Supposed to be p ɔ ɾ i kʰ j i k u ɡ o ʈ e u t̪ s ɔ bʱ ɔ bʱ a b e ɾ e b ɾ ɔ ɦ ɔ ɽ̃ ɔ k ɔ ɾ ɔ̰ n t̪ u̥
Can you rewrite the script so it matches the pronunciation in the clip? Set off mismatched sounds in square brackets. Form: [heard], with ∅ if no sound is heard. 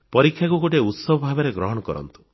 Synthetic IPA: p ɔ ɾ i kʰ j [a] k u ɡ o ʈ e u t̪ s ɔ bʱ ɔ bʱ a b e ɾ e [ɡ] ɾ ɔ ɦ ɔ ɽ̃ ɔ k ɔ ɾ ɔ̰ n t̪ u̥